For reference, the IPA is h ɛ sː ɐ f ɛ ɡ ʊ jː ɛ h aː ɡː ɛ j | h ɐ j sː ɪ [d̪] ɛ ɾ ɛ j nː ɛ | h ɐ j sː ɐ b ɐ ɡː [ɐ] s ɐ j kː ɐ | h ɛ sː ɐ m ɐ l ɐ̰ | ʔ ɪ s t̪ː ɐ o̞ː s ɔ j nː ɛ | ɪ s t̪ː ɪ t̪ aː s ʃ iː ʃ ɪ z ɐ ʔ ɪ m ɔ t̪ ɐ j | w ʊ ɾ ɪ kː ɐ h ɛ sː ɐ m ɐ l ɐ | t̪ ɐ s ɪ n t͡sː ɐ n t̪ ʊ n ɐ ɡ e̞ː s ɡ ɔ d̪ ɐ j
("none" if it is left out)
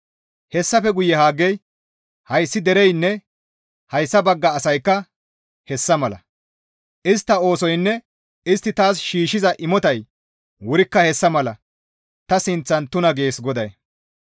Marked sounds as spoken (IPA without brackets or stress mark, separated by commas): d̪, ɐː